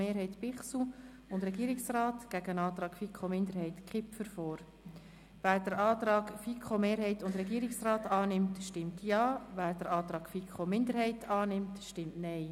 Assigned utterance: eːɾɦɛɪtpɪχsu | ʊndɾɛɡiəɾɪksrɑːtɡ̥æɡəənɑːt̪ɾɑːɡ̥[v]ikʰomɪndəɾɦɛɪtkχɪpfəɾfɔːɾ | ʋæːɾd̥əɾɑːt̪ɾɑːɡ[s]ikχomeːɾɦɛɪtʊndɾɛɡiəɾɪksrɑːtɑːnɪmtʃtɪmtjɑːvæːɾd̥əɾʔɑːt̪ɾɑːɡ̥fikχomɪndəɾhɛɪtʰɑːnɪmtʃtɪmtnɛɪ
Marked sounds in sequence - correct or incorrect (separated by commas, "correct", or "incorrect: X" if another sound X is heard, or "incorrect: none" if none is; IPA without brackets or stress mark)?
incorrect: f, incorrect: f